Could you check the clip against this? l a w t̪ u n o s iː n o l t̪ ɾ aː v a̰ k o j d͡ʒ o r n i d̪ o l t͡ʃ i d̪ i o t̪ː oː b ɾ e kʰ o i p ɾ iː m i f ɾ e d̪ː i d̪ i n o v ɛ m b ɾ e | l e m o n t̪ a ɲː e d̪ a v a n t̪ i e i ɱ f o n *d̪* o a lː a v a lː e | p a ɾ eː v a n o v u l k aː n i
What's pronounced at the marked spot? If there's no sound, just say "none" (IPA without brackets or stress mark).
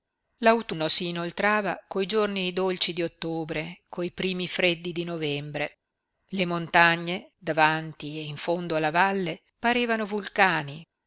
d̪